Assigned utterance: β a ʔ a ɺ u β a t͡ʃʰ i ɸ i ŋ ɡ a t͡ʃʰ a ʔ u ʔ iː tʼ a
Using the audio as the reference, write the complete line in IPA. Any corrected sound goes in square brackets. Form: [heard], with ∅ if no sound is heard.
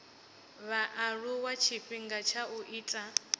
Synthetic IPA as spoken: β a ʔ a ɺ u [w] a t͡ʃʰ i ɸ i ŋ ɡ a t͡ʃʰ a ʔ u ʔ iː tʼ a